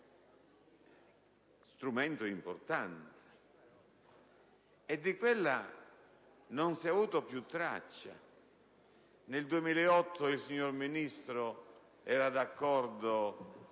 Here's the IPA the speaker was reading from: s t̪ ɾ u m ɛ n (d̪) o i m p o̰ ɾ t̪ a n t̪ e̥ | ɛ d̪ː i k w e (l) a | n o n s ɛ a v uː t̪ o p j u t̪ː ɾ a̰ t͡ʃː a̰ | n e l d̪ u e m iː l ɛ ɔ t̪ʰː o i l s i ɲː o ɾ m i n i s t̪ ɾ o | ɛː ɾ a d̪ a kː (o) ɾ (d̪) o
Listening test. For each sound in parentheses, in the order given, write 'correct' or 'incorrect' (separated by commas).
incorrect, incorrect, incorrect, correct